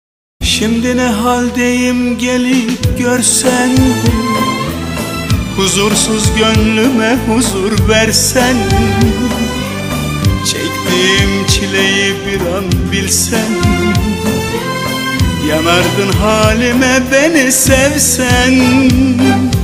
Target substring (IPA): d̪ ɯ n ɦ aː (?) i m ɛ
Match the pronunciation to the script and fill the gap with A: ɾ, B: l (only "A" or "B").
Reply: B